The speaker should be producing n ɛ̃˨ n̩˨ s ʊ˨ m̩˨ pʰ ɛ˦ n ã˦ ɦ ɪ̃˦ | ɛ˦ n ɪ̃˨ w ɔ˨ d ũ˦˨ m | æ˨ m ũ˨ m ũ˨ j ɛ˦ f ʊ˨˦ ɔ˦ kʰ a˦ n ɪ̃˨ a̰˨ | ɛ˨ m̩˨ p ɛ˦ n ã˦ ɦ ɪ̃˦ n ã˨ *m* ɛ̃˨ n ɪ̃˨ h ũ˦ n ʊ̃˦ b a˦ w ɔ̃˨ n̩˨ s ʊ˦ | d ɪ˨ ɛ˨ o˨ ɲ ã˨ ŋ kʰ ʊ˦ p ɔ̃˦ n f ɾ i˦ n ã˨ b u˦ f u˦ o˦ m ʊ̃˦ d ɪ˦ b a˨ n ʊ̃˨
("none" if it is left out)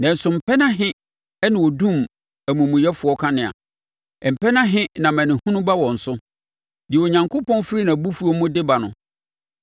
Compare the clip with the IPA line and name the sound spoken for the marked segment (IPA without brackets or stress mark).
m